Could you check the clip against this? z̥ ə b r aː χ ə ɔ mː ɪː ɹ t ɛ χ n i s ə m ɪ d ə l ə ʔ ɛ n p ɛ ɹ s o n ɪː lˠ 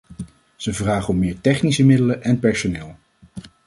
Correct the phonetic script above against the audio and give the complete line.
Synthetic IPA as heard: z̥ ə v r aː χ ə ɔ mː ɪː ɹ t ɛ χ n i s ə m ɪ d ə l ə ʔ ɛ n p ɛ ɹ s o n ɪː lˠ